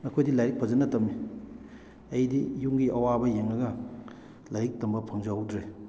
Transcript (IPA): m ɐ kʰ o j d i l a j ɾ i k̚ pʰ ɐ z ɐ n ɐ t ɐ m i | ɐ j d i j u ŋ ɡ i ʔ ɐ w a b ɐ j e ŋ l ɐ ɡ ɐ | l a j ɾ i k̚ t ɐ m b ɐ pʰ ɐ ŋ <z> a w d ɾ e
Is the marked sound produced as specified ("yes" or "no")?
yes